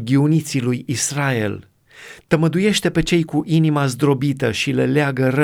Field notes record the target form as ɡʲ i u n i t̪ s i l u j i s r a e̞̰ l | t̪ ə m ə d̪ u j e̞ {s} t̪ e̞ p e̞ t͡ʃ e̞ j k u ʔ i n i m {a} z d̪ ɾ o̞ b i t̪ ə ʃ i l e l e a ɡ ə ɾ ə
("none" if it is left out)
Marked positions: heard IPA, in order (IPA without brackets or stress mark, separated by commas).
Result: ʃ, a